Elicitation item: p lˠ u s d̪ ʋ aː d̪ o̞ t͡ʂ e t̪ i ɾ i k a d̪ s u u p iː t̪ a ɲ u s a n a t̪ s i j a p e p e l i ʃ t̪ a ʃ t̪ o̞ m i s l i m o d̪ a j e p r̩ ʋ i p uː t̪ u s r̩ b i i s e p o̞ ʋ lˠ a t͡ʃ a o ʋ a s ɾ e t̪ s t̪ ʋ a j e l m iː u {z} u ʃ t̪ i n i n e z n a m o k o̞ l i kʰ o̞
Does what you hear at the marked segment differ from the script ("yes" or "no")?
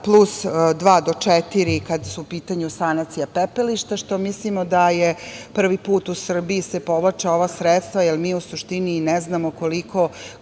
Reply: yes